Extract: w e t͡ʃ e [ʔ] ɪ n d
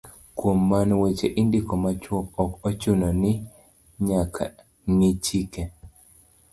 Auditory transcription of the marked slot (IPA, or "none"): ʔ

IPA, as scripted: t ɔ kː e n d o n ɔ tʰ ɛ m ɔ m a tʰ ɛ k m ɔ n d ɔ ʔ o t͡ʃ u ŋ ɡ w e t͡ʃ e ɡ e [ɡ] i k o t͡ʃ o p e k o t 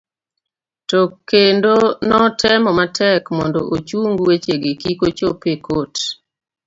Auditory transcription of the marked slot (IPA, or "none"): k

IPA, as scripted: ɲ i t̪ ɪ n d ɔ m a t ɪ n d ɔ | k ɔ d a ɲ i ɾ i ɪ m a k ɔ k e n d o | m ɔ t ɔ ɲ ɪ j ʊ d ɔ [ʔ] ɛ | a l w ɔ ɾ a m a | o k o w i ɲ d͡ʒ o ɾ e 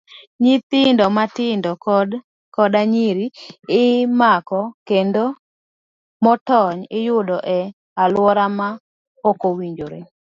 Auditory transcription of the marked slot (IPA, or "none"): ʔ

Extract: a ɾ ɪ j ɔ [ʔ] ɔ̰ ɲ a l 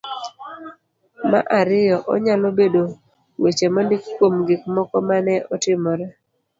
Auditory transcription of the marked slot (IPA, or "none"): ʔ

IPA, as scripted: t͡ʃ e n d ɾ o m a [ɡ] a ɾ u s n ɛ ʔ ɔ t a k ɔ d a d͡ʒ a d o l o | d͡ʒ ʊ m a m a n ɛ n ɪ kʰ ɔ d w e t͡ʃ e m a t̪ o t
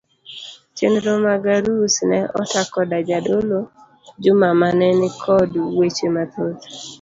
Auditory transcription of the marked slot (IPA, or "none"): ɡ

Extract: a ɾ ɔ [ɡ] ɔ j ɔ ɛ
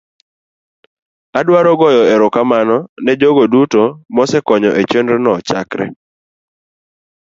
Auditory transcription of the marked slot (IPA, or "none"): ɡ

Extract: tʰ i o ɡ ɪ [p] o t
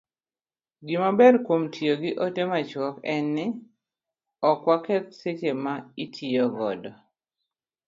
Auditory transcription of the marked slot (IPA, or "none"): ʔ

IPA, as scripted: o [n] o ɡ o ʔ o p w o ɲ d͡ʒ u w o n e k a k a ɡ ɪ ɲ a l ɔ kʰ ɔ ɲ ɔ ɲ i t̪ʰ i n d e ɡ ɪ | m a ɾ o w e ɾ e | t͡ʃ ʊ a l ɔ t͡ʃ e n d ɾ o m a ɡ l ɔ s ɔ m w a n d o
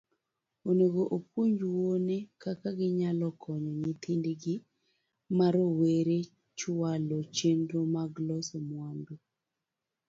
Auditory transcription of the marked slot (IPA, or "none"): n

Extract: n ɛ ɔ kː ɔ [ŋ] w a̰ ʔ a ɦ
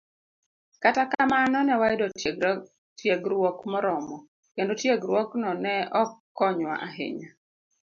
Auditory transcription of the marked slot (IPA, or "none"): ɲ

